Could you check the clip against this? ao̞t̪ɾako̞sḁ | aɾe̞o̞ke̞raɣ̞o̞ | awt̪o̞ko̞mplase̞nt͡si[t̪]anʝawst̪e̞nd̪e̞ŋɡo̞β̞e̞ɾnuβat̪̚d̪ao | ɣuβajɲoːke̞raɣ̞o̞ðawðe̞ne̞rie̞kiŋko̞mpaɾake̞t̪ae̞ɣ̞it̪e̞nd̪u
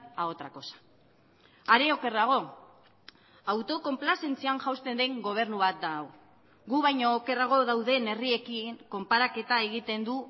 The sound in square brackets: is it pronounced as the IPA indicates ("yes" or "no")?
no